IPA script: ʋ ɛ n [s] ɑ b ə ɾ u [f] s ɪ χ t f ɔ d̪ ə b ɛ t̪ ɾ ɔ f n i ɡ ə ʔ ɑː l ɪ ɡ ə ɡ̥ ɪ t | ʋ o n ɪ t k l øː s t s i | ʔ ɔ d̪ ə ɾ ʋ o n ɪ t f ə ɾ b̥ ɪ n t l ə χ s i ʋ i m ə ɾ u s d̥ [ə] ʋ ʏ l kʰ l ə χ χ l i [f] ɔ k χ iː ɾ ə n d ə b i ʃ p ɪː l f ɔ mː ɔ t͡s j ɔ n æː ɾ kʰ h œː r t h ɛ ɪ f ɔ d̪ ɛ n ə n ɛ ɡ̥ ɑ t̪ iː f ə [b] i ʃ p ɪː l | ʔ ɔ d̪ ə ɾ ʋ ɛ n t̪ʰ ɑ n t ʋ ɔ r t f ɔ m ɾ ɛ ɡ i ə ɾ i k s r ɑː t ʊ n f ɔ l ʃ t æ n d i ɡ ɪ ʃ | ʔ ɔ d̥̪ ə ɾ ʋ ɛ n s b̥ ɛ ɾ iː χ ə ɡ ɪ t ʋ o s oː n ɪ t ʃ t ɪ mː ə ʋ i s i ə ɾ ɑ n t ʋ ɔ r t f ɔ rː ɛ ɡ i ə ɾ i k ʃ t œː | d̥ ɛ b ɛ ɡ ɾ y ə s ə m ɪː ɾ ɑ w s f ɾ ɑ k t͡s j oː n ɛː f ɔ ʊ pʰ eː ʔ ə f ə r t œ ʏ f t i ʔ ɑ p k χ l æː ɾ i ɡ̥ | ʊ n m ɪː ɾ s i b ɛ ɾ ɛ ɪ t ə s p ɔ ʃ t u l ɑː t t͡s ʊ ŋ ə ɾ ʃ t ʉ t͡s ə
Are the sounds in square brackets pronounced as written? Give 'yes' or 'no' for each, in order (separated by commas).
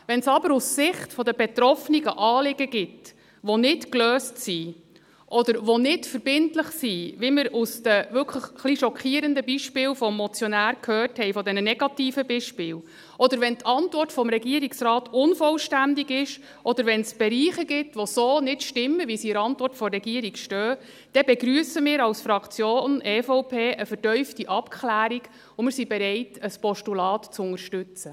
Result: yes, no, yes, no, yes